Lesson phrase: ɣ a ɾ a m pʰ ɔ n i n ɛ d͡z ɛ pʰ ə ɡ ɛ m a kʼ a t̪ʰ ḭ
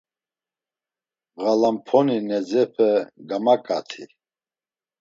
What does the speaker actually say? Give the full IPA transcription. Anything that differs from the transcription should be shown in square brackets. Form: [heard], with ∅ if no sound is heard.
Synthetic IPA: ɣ a [l] a m pʰ ɔ n i n ɛ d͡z ɛ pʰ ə ɡ [a] m a kʼ a t̪ʰ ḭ